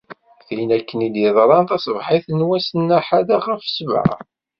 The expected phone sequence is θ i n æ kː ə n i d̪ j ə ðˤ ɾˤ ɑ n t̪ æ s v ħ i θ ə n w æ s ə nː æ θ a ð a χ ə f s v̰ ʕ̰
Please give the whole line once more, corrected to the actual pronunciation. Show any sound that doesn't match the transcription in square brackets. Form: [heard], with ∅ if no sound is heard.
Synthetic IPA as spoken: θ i n æ kː ə n i d̪ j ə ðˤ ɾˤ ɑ n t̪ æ s v ħ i θ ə n w æ s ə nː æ [ħ] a ð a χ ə f s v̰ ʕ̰